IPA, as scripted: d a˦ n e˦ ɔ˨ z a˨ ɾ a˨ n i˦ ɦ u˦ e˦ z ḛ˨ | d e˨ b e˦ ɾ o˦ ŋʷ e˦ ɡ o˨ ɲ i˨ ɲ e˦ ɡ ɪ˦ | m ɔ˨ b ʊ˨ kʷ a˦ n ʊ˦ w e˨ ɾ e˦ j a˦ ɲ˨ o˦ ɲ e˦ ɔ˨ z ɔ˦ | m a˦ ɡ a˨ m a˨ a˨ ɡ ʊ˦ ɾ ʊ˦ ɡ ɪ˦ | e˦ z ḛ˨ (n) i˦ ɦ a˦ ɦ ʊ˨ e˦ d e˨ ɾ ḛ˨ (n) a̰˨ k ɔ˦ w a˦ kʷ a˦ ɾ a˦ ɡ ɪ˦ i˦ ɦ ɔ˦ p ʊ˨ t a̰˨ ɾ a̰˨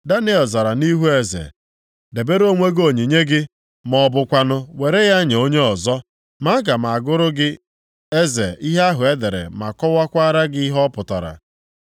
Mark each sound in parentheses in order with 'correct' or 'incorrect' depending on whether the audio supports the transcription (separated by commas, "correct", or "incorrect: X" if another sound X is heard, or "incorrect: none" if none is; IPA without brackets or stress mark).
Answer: incorrect: none, incorrect: m